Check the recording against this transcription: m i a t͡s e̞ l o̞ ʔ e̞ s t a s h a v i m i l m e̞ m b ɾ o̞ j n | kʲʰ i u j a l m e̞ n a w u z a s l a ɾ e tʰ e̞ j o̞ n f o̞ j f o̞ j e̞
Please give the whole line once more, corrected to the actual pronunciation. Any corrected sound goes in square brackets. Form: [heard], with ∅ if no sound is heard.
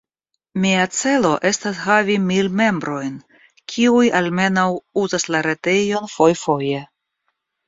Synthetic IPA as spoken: m i a t͡s e̞ l o̞ ʔ e̞ s t a s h a v i m i l m e̞ m b ɾ o̞ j n | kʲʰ i u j a l m e̞ n a w u z a s l a ɾ e [t] e̞ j o̞ n f o̞ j f o̞ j e̞